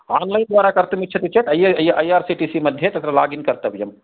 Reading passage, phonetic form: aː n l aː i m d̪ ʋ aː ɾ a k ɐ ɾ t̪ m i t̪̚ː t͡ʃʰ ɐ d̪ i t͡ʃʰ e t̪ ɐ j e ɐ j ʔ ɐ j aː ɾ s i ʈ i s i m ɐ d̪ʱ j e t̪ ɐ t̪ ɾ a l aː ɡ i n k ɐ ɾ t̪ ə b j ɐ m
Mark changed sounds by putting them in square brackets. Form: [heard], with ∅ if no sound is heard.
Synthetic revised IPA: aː n l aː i [n] d̪ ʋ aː ɾ a k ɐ ɾ t̪ m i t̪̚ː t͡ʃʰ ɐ [t̪] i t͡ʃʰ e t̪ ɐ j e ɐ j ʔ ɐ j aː ɾ s i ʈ i s i m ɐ d̪ʱ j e t̪ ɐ t̪ ɾ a l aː ɡ i n k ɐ ɾ t̪ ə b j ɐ m